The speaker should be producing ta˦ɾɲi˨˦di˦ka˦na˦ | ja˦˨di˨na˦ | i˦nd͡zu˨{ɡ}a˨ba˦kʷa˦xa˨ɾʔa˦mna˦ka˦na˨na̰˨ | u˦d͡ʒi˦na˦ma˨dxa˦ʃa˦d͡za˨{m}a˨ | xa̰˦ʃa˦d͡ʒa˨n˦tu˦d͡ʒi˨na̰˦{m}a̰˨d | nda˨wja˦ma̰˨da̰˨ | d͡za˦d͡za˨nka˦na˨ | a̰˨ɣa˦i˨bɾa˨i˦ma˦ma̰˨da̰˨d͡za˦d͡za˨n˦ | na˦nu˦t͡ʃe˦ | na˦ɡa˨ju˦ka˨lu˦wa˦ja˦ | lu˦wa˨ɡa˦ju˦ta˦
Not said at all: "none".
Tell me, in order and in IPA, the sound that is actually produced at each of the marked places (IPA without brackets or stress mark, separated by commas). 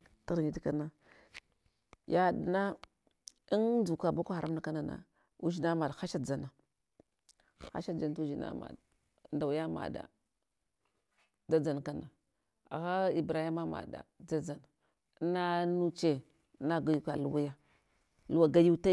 k, n, m